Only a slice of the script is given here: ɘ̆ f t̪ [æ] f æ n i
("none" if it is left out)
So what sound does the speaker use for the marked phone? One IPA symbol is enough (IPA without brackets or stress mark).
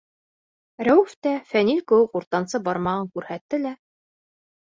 æ